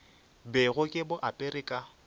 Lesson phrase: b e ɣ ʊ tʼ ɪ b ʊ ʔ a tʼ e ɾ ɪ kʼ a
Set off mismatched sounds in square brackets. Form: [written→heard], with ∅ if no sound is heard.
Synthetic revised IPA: b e ɣ ʊ [tʼ→kʼ] ɪ b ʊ ʔ a [tʼ→pʼ] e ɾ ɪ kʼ a